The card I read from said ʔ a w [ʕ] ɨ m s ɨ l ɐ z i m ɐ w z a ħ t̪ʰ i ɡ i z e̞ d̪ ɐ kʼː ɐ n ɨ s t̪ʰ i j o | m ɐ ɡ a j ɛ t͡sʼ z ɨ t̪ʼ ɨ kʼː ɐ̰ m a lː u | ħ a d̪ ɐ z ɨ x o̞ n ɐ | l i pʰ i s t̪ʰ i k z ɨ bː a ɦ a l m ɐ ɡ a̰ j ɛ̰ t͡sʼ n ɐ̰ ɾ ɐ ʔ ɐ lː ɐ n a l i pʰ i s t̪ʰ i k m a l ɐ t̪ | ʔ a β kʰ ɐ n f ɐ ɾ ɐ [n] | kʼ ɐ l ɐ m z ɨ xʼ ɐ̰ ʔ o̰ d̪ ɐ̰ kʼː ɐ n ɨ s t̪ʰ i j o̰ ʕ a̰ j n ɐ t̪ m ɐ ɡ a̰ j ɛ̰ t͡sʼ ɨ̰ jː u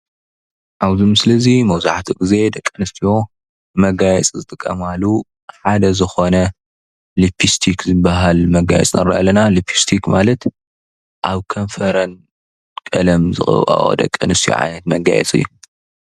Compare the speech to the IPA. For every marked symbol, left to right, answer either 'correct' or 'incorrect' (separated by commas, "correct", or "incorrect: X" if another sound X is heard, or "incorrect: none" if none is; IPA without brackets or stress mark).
incorrect: z, correct